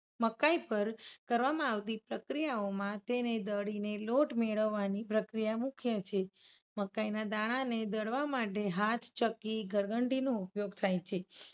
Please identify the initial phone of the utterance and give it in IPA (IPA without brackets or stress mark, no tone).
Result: m